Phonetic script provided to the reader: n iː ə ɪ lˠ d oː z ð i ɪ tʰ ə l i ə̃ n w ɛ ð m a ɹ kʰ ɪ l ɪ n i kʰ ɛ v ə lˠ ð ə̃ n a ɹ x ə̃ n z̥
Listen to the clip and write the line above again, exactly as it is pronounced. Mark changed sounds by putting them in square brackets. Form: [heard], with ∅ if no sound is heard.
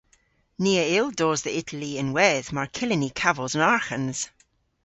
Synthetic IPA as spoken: n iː ə ɪ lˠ d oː z ð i ɪ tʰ ə l i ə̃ n w ɛ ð m a ɹ kʰ ɪ l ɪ n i kʰ [a] v ə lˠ [z] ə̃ n a ɹ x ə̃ n z̥